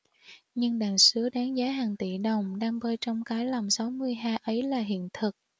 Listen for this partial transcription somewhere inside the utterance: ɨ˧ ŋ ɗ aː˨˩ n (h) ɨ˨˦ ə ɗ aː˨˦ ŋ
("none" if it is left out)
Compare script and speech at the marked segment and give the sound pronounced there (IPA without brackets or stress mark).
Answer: s